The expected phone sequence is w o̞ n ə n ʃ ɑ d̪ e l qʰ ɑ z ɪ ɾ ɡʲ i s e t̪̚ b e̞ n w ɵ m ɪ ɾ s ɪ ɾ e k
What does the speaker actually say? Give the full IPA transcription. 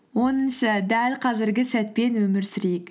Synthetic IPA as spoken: w o̞ n ə n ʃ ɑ d̪ æ l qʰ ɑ z ɪ ɾ ɡʲ ɪ s æ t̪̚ p e̞ n w ɵ m ɪ ɾ s ɪ ɾ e k